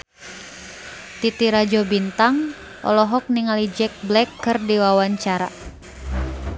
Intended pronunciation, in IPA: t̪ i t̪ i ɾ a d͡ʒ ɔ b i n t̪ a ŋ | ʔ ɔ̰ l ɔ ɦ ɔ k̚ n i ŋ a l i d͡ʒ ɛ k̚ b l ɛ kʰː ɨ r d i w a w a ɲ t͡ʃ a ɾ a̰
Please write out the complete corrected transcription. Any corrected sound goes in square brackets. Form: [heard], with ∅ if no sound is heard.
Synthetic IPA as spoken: t̪ i t̪ i ɾ a d͡ʒ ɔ b i n t̪ a ŋ | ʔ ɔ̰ l ɔ ɦ ɔ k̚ n i ŋ a l i d͡ʒ ɛ k̚ b l ɛ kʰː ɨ r d i w a w a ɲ t͡ʃ a ɾ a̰